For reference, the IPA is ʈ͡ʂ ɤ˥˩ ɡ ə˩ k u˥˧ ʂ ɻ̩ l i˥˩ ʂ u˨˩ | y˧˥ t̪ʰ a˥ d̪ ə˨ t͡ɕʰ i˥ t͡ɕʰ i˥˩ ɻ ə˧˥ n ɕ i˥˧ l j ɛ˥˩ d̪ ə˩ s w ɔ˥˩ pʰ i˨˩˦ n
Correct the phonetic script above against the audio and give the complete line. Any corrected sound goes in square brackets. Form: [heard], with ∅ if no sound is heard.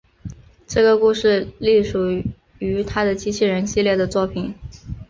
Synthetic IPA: ʈ͡ʂ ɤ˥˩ ɡ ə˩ k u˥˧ ʂ ɻ̩ l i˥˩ ʂ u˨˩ | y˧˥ t̪ʰ a˥ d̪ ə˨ [t͡ɕ] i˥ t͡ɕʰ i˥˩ ɻ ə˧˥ n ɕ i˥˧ l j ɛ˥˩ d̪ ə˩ [t͡s] w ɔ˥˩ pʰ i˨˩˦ n